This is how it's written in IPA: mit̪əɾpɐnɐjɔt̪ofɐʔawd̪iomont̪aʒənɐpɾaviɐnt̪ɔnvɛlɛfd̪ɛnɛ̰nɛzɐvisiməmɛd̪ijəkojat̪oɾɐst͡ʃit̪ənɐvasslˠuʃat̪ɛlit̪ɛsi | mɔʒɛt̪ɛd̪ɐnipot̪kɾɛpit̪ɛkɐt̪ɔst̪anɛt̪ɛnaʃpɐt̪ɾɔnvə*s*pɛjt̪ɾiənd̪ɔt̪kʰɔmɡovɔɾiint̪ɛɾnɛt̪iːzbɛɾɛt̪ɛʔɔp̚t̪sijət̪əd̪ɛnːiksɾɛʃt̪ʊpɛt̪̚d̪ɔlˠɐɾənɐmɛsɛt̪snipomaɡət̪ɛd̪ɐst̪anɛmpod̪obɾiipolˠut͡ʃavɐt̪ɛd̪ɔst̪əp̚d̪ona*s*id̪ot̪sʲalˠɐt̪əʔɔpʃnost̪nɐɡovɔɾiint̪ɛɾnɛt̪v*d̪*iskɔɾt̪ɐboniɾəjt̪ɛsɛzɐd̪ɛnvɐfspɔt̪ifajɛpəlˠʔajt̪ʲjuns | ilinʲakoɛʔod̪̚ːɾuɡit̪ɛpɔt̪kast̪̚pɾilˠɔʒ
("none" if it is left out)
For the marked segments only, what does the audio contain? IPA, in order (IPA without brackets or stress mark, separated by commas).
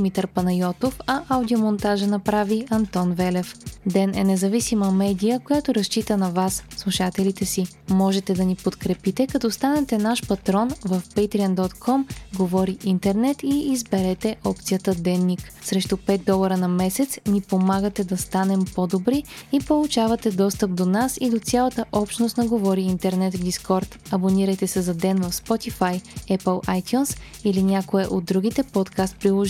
f, s, d̪